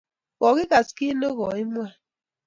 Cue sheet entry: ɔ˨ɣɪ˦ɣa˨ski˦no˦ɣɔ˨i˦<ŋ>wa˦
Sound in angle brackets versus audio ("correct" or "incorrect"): incorrect